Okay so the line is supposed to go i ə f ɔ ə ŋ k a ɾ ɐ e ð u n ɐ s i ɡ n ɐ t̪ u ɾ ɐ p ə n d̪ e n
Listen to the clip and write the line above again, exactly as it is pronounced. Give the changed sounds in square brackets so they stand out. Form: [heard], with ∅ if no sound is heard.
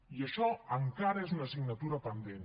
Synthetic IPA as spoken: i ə [ʃ] ɔ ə ŋ k a ɾ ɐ e [z] u n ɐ s i ɡ n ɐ t̪ u ɾ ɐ p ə n d̪ e n